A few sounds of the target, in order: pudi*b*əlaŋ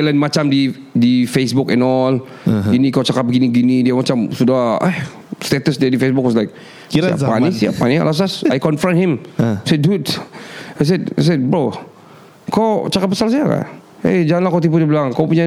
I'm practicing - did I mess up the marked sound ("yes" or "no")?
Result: no